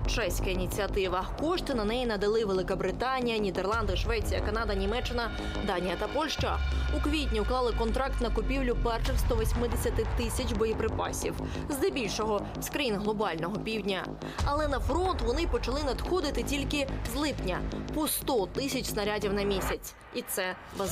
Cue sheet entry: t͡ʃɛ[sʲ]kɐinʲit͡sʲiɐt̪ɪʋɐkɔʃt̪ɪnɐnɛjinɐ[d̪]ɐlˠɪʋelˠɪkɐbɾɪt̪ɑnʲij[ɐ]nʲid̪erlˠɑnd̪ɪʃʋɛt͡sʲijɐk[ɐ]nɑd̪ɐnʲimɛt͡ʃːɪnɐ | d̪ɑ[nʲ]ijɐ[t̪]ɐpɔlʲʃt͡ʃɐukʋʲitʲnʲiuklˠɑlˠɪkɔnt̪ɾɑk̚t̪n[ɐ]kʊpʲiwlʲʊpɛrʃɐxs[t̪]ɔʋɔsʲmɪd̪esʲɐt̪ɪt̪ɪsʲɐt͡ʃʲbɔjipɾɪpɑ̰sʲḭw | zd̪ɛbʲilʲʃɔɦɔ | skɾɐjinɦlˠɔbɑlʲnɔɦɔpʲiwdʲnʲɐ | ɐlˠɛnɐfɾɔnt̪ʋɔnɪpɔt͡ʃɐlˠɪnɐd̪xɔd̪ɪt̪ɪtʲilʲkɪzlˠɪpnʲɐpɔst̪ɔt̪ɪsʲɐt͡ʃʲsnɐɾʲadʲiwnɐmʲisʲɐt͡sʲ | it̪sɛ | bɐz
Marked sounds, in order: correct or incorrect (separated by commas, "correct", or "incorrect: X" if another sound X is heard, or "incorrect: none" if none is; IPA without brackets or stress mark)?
correct, correct, correct, correct, correct, correct, correct, correct